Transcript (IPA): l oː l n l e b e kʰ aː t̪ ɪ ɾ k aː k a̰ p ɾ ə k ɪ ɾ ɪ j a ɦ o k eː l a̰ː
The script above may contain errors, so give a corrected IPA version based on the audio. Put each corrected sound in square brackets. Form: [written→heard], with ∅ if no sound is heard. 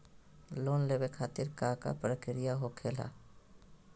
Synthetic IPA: l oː [l→∅] n l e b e kʰ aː t̪ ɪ ɾ k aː k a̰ p ɾ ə k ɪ ɾ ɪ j a ɦ o [k→kʰ] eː l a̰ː